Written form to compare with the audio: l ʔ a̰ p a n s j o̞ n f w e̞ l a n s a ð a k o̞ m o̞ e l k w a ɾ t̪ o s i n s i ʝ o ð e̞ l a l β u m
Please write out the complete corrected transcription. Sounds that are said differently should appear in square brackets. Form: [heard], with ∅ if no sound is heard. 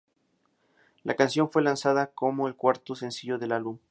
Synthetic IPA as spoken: l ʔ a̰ [k] a n s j o̞ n f w e̞ l a n s a ð a k o̞ m o̞ e l k w a ɾ t̪ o s [e] n s i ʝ o ð e̞ l a l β u m